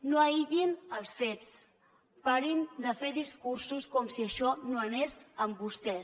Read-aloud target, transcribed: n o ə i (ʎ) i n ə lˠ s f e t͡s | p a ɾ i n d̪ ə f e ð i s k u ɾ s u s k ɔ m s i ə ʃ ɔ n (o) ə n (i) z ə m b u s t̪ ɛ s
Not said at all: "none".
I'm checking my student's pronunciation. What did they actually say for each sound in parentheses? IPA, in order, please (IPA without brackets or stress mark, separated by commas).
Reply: ʎ, o, e